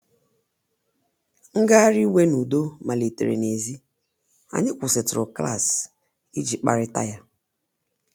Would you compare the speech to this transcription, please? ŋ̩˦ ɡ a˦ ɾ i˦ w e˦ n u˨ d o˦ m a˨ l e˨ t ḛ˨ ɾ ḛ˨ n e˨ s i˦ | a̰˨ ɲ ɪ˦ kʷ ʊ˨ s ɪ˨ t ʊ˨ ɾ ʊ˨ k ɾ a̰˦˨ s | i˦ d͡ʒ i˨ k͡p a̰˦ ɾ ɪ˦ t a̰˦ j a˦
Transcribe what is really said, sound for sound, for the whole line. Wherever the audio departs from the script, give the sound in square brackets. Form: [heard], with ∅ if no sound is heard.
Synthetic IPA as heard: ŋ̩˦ ɡ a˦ ɾ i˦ w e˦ n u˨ d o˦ m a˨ l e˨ t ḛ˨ ɾ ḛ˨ n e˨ [z] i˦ | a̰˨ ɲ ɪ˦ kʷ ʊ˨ s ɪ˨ t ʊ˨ ɾ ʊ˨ k [l] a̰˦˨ s | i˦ d͡ʒ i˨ k͡p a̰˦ ɾ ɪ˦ t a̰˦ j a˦

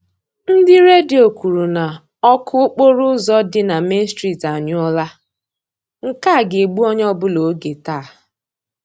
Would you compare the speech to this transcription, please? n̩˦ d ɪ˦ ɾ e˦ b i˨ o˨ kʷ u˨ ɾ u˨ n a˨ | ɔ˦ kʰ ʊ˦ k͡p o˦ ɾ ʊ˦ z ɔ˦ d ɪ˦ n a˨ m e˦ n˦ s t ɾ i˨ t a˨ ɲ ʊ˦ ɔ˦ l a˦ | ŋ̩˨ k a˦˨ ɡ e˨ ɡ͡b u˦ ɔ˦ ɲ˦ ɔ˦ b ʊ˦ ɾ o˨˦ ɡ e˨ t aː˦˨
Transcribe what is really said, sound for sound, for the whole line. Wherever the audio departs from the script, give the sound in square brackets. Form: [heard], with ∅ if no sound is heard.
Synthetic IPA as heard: n̩˦ d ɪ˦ ɾ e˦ [d] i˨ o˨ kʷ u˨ ɾ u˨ n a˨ | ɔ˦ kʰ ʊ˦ k͡p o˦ ɾ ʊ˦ z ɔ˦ d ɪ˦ n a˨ m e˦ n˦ s t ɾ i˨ t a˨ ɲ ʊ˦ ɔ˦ l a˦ | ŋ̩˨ k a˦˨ ɡ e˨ ɡ͡b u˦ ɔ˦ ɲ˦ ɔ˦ b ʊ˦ [l] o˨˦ ɡ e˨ t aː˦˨

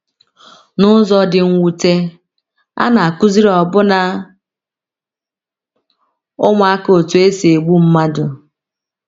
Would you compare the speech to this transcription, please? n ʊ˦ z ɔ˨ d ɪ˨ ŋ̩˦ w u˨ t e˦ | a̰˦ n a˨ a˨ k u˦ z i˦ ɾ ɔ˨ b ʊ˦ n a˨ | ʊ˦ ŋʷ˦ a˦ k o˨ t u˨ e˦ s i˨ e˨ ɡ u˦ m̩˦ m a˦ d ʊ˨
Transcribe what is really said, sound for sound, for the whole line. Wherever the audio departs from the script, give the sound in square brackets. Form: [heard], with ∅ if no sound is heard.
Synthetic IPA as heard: n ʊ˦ z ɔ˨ d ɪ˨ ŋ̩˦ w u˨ t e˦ | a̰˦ n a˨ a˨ k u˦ z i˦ ɾ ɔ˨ b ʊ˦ n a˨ | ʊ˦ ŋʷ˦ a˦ k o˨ t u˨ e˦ s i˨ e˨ [ɡ͡b] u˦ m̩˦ m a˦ d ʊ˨

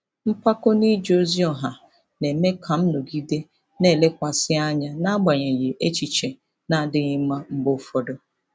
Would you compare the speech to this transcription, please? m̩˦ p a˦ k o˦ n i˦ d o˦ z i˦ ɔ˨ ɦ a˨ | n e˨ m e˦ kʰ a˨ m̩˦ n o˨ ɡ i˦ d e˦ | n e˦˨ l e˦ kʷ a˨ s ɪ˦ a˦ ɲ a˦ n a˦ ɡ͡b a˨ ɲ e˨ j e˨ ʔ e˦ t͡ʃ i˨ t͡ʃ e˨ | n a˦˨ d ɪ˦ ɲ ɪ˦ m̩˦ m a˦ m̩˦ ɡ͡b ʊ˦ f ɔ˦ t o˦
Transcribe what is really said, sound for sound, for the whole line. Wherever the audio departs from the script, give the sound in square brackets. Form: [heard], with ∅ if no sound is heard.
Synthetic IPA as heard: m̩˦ p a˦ k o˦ n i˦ [d͡ʒ] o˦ z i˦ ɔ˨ ɦ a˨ | n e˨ m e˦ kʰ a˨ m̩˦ n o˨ ɡ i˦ d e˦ | n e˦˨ l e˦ kʷ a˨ s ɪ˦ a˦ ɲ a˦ n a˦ ɡ͡b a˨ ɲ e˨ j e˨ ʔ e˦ t͡ʃ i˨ t͡ʃ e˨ | n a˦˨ d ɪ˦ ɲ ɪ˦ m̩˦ m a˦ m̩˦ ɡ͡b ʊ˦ f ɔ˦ [d] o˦

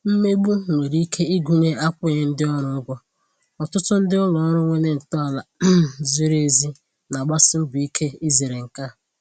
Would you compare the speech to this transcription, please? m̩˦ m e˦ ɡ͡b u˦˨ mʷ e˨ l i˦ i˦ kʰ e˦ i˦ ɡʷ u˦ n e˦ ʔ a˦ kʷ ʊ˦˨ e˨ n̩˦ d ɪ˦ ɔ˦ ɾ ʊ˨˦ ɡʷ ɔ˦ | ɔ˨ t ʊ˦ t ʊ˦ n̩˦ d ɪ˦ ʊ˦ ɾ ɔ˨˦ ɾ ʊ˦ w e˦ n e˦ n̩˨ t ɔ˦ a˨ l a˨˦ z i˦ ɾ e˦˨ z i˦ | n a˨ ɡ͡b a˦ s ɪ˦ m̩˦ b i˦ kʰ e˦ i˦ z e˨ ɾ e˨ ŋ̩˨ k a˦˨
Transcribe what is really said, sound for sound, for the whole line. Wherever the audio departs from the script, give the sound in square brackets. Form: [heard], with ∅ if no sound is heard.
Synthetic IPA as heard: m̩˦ m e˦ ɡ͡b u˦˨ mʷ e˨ [ɾ] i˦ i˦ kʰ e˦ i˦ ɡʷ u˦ [ɲ] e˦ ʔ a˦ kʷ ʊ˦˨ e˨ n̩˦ d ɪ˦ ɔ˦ ɾ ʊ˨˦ ɡʷ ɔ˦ | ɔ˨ t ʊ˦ t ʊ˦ n̩˦ d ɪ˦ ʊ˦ [l] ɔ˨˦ ɾ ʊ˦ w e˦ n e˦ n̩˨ t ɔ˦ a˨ l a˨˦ z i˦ ɾ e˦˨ z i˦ | n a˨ ɡ͡b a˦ s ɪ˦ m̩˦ b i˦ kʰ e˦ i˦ z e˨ ɾ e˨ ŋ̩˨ k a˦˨

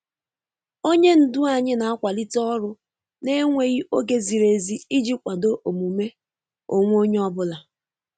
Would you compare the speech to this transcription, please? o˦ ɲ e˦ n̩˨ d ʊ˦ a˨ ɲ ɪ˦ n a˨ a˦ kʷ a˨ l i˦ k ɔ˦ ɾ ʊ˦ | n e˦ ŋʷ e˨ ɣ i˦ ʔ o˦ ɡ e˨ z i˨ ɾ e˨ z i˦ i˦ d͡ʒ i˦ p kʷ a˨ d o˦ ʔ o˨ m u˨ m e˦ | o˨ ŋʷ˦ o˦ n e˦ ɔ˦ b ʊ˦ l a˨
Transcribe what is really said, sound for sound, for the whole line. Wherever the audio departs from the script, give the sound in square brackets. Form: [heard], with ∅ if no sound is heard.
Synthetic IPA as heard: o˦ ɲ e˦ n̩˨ d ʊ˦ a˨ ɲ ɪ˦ n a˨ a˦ kʷ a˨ l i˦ [t] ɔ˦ ɾ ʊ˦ | n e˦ ŋʷ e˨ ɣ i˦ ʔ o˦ ɡ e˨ z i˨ ɾ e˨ z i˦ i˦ d͡ʒ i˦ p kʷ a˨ d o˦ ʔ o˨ m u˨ m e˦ | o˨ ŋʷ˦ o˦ [ɲ] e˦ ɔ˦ b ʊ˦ l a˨

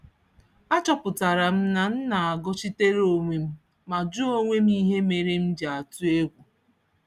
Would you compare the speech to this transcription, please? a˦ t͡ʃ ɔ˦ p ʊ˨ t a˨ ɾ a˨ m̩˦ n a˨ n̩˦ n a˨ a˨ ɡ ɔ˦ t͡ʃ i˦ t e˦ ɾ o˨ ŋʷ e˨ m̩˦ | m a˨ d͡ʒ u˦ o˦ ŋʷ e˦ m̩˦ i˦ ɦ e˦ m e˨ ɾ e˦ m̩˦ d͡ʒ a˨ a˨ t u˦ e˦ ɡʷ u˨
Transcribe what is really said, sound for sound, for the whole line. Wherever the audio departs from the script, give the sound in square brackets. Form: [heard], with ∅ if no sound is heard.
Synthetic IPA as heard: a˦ t͡ʃ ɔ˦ p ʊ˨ t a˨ ɾ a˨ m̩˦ n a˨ n̩˦ n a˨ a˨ ɡ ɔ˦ t͡ʃ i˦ t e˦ ɾ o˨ ŋʷ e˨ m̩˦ | m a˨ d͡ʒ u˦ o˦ ŋʷ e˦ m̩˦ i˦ ɦ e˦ m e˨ ɾ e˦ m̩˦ d͡ʒ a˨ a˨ t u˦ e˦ ɡʷ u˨

